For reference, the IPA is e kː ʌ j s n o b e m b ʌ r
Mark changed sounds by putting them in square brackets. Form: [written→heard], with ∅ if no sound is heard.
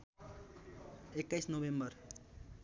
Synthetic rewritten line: e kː [ʌ→a] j s n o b e m b ʌ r

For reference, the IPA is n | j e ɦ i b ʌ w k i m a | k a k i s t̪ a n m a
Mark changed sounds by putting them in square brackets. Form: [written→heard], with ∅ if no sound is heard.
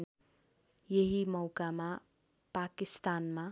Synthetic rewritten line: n | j e ɦ i [b→m] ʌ w k [i→a] m a | [k→p] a k i s t̪ a n m a

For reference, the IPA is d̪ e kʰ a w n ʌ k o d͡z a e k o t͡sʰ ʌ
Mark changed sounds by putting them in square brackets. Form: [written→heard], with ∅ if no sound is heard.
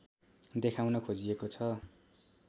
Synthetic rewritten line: d̪ e kʰ a w n ʌ [k→kʰ] o d͡z [a→i] e k o t͡sʰ ʌ

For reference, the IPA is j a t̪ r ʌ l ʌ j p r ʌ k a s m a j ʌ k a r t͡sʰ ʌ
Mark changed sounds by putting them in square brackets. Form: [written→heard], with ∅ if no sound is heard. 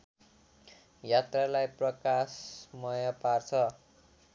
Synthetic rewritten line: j a t̪ r [ʌ→a] l [ʌ→a] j p r ʌ k a s m [a→ʌ] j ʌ [k→p] a r t͡sʰ ʌ

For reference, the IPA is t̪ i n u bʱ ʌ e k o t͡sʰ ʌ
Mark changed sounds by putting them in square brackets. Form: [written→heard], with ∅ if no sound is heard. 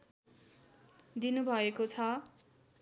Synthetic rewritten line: [t̪→d̪] i n u bʱ ʌ e k o t͡sʰ ʌ

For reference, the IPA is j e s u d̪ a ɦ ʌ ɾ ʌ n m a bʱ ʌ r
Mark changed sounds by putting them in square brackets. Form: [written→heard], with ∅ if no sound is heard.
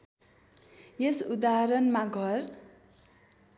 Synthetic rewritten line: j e s u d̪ a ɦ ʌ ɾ ʌ n m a [bʱ→ɡʱ] ʌ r

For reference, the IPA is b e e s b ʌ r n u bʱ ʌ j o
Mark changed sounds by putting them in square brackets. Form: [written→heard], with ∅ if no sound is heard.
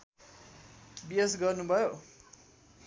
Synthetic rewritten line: b [e→i] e s [b→ɡ] ʌ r n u bʱ ʌ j o

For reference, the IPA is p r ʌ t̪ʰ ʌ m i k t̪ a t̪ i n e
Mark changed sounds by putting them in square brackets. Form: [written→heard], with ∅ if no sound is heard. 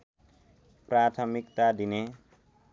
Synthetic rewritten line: p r [ʌ→a] t̪ʰ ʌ m i k t̪ a [t̪→d̪] i n e

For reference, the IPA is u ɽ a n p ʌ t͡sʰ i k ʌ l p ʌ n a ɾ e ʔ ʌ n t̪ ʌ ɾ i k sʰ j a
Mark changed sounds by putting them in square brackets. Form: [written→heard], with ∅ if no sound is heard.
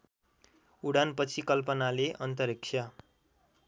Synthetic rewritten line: u ɽ a n p ʌ t͡sʰ i k ʌ l p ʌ n a [ɾ→l] e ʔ ʌ n t̪ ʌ ɾ i k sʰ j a

